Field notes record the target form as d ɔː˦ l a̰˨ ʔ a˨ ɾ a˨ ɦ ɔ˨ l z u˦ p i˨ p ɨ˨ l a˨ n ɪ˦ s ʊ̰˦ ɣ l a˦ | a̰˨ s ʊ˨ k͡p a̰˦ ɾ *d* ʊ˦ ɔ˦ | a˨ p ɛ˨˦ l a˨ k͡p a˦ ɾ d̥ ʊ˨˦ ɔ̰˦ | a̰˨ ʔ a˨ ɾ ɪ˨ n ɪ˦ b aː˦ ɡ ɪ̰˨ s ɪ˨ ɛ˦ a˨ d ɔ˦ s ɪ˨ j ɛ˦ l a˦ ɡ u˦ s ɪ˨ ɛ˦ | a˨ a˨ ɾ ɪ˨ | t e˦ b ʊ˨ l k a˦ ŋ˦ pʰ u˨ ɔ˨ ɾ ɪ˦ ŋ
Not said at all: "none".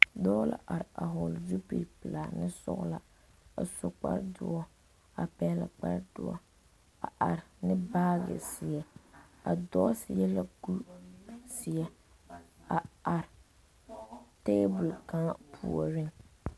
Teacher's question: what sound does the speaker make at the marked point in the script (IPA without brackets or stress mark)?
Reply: d